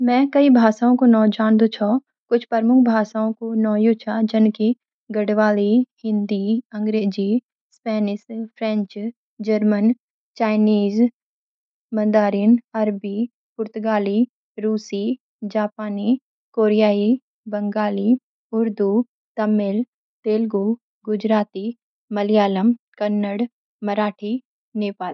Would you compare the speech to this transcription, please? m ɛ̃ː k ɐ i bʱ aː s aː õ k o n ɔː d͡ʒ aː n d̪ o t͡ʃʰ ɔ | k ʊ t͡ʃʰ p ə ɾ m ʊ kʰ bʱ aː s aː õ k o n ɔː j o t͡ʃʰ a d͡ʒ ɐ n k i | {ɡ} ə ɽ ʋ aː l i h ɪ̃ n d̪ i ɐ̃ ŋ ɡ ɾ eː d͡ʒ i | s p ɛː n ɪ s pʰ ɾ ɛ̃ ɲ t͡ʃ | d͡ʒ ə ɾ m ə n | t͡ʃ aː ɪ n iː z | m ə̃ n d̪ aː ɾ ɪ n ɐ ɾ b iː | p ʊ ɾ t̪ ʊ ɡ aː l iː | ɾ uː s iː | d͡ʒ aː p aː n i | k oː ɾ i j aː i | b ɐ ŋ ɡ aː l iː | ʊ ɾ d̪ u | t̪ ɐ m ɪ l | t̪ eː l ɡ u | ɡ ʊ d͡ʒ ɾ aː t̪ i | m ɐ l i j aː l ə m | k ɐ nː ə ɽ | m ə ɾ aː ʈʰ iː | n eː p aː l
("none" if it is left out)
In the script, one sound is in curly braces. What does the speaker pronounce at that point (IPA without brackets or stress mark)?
ɡ